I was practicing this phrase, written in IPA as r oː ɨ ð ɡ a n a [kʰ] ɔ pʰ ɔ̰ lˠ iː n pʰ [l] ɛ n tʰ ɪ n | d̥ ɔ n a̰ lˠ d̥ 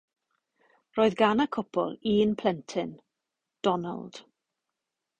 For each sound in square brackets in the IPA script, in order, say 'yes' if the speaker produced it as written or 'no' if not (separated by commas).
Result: yes, yes